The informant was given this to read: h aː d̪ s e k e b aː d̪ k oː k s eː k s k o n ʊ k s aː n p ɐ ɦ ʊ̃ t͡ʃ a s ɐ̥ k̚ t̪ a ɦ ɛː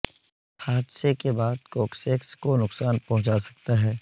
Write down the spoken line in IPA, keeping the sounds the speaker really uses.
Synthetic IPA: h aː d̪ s e k e b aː d̪ k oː k s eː k s k o n ʊ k s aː n p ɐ ɦ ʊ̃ t͡ʃ a s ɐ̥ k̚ t̪ a ɦ ɛː